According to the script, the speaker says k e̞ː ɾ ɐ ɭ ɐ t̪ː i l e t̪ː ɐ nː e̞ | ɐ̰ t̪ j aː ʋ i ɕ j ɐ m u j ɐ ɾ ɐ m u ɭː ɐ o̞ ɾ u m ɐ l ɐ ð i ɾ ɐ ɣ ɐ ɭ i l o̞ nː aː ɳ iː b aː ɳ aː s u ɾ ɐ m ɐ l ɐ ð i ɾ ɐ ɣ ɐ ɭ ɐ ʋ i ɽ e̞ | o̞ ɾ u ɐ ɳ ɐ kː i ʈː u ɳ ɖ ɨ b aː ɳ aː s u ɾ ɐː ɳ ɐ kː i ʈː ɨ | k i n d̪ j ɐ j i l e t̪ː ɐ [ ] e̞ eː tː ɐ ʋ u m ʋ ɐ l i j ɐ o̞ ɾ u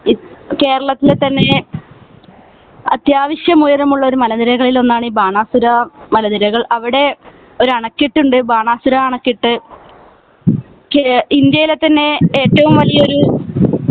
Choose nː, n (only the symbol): nː